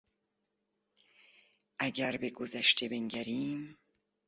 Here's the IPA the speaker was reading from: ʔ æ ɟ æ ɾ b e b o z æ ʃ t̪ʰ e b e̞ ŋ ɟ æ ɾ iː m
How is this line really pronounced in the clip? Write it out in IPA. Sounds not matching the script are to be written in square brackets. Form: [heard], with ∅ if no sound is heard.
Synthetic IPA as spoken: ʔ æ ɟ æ ɾ b e [ɡ] o z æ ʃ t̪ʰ e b e̞ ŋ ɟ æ ɾ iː m